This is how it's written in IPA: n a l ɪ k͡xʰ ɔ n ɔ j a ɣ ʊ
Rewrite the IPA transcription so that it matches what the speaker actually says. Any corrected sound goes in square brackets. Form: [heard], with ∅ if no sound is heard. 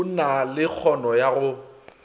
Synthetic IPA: n a l ɪ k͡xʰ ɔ n ɔ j a ɣ ʊ